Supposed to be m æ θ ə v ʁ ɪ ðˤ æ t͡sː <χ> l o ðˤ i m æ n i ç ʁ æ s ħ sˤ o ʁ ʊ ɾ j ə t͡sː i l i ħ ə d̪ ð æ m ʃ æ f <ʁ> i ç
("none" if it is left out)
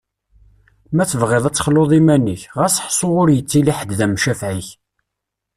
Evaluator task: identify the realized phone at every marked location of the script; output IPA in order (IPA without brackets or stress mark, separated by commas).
χ, ʕ